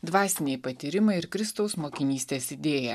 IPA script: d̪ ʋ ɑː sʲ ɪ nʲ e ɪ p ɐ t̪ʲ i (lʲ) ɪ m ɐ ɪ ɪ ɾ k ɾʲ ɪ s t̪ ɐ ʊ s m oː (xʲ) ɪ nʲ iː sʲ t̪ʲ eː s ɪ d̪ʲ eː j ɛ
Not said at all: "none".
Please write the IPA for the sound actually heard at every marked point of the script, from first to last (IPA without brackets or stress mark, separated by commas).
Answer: ɾʲ, kʲ